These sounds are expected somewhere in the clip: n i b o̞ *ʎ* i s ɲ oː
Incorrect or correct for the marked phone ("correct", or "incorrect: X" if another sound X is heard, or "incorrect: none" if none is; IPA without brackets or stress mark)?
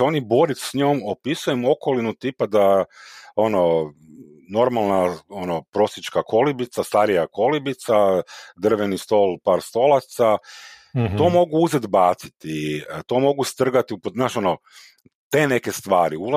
incorrect: ɾ